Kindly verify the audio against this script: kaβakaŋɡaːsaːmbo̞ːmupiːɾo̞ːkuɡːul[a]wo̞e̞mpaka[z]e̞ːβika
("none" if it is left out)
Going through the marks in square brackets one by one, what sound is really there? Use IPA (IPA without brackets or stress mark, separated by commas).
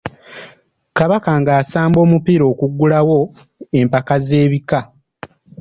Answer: a, z